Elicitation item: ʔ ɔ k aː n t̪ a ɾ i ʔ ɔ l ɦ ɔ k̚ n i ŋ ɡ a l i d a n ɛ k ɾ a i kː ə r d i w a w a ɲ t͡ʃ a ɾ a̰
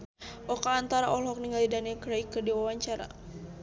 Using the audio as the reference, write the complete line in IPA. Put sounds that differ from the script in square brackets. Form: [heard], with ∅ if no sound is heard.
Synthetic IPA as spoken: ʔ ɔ k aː n t̪ a ɾ [a] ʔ ɔ l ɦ ɔ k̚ n i ŋ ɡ a l i d a n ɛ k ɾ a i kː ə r d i w a w a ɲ t͡ʃ a ɾ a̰